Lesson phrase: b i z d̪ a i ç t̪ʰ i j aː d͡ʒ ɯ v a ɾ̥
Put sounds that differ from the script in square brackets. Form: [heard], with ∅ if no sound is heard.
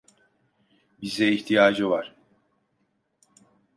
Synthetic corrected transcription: b i z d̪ [ɛ] i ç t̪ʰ i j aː d͡ʒ ɯ v a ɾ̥